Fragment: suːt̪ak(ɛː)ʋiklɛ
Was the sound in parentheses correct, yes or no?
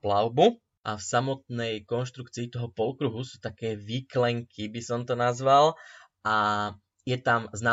yes